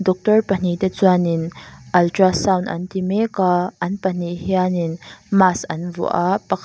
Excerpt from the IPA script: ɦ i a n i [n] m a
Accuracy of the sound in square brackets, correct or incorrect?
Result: correct